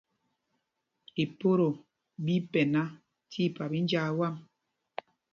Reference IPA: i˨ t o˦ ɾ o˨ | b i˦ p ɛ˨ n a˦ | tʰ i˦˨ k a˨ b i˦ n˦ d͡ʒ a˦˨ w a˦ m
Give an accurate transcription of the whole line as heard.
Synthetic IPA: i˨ p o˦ ɾ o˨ | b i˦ p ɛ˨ n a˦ | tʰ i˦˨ p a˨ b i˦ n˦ d͡ʒ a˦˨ w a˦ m